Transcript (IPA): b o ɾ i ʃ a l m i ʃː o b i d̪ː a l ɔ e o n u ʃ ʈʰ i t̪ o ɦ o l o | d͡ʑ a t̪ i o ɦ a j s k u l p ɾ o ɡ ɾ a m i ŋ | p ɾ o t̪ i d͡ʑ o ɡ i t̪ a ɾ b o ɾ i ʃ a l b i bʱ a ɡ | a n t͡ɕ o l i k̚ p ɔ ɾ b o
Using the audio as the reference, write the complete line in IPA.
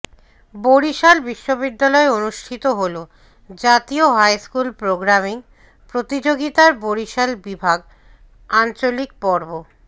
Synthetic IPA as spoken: b o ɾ i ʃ a l b i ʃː o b i d̪ː a l ɔ e o n u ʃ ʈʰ i t̪ o ɦ o l o | d͡ʑ a t̪ i o ɦ a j s k u l p ɾ o ɡ ɾ a m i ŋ | p ɾ o t̪ i d͡ʑ o ɡ i t̪ a ɾ b o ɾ i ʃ a l b i bʱ a ɡ | a n t͡ɕ o l i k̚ p ɔ ɾ b o